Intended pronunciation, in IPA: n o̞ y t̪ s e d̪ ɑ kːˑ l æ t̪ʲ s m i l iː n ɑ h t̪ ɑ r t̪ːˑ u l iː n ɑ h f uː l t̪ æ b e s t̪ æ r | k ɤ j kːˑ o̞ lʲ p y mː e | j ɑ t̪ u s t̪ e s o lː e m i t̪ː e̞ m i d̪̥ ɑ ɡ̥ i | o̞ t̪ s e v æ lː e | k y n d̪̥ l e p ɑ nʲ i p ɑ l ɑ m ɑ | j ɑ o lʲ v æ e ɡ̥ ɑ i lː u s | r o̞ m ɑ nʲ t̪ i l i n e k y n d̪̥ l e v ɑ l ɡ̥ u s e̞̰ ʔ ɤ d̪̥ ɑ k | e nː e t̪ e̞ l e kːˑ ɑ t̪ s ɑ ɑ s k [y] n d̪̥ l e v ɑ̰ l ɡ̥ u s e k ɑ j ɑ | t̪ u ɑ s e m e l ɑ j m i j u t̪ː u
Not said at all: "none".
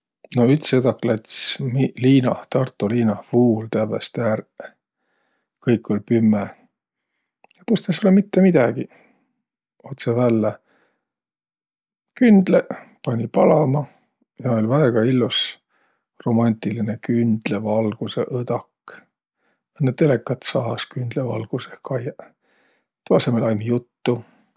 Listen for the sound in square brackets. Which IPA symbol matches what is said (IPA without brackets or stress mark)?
y